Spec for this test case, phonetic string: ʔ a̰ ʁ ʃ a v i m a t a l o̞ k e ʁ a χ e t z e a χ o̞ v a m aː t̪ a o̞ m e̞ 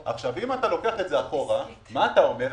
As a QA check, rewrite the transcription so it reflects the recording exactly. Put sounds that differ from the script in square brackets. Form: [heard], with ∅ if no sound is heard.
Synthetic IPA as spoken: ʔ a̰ [χ] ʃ a v i m a t a l o̞ k e [∅] a χ e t z e a χ o̞ [ʁ] a m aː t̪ a o̞ m e̞